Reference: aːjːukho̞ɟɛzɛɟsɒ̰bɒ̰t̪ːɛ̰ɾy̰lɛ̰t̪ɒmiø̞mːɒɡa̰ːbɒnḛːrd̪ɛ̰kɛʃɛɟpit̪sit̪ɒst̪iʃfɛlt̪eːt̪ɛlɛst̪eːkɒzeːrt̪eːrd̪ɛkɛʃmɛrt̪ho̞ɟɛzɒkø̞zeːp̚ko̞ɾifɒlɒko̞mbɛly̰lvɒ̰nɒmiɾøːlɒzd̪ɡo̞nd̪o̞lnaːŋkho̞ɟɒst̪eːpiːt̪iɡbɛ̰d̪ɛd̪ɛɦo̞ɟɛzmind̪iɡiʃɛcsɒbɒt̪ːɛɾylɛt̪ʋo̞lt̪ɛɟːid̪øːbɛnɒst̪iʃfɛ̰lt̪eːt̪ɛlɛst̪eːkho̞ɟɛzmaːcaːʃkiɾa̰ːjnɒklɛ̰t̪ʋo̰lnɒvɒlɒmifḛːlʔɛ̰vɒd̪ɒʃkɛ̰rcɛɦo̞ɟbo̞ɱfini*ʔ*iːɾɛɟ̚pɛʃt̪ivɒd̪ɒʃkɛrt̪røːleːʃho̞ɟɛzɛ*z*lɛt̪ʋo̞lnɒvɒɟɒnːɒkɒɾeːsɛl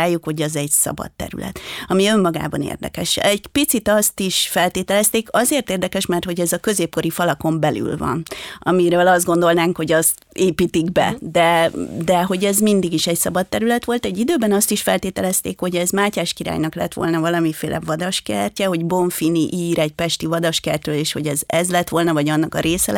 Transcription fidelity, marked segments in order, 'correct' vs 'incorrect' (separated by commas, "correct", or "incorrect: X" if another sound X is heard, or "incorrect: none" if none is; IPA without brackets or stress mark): correct, correct